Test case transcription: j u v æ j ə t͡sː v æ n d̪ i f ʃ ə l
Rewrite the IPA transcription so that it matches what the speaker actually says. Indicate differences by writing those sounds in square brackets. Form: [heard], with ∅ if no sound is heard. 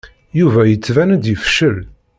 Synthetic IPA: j u v æ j ə t͡sː v æ n d̪ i f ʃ ə l